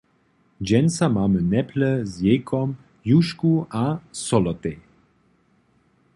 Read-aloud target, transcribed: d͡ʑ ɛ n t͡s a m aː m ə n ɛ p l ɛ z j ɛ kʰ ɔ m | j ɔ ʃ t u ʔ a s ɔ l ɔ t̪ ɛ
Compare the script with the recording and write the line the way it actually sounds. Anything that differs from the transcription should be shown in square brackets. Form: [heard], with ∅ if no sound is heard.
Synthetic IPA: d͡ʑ ɛ n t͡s a m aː m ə n ɛ p l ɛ z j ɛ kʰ ɔ m | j [u] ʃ [k] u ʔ a s ɔ l ɔ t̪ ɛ